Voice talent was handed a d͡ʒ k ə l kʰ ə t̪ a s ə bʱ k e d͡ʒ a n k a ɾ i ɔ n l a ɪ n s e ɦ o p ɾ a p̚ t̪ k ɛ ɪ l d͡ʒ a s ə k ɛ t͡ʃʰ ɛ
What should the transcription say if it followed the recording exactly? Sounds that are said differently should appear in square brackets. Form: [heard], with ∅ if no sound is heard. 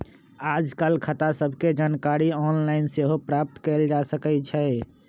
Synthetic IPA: a d͡ʒ k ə l kʰ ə t̪ a s ə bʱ k e d͡ʒ a n k a ɾ i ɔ n l a ɪ n s e ɦ o p ɾ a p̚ t̪ k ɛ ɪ l d͡ʒ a s ə k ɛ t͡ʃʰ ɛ

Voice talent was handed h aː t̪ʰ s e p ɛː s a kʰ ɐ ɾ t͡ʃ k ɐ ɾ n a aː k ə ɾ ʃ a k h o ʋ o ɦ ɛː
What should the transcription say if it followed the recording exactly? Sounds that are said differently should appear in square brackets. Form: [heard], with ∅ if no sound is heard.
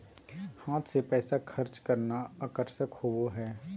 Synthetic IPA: h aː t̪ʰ s e p ɛː s a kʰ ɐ ɾ t͡ʃ k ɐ ɾ n a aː k ə ɾ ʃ [ə] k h o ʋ o ɦ ɛː

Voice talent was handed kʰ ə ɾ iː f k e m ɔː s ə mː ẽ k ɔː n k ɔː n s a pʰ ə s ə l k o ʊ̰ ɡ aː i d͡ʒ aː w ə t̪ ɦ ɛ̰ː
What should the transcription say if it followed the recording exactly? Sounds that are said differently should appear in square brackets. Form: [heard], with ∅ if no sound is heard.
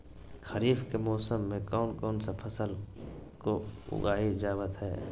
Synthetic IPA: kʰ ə ɾ iː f k e m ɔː s ə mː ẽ k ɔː n k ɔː n s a pʰ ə s ə l k o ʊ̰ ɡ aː i d͡ʒ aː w ə t̪ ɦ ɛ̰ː

